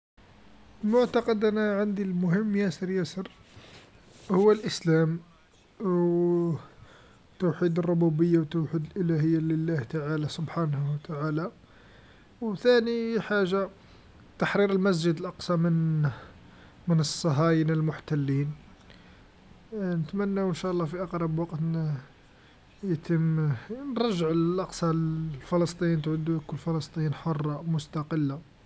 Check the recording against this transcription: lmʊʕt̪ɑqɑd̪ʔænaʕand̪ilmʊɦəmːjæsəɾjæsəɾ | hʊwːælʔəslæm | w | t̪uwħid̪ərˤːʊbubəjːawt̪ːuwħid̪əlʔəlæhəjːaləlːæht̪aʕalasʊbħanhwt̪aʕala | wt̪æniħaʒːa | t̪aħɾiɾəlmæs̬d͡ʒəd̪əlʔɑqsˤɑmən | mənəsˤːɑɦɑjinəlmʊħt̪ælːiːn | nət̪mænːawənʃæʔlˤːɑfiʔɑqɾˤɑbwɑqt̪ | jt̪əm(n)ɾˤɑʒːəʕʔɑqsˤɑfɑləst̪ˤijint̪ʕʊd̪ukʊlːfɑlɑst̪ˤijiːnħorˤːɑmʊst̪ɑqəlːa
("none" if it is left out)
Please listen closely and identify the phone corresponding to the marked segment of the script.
n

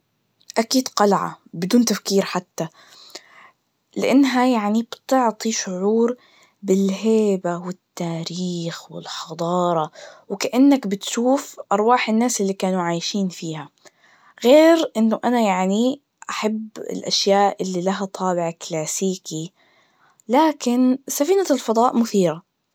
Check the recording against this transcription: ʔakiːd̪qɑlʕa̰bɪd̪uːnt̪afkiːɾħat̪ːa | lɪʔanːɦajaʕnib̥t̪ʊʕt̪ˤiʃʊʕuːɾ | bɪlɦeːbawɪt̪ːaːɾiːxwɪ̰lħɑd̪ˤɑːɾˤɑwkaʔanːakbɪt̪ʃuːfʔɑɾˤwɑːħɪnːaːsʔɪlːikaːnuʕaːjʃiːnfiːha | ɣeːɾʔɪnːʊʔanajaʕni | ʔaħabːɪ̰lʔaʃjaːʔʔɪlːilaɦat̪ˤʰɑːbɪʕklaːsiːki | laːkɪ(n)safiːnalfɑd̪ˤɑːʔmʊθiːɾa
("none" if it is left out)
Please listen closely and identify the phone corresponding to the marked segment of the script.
n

